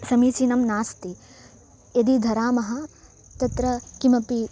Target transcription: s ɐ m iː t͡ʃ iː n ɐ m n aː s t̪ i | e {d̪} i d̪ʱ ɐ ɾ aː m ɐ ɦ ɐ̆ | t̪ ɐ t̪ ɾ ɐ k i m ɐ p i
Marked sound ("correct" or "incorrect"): correct